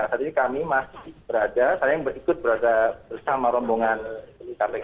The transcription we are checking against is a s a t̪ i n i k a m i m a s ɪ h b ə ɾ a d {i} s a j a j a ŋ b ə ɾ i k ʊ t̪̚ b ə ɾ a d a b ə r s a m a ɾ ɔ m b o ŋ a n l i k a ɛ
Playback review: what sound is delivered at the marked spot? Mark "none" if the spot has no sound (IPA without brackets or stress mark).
a